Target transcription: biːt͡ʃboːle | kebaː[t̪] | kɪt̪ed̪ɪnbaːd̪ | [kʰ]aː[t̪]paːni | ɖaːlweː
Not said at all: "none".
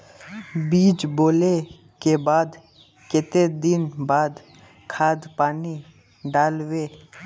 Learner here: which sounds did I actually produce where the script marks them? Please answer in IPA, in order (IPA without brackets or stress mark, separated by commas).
d̪, kʰ, d̪